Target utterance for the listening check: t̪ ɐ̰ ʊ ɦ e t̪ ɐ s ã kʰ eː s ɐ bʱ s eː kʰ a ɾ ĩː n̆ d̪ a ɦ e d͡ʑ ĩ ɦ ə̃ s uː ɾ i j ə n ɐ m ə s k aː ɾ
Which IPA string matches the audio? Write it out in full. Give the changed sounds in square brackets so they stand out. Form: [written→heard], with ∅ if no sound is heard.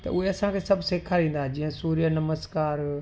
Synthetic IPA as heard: t̪ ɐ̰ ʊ ɦ e [t̪→∅] ɐ s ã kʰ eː s ɐ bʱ s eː kʰ a ɾ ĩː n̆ d̪ a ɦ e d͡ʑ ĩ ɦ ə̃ s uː ɾ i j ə n ɐ m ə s k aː ɾ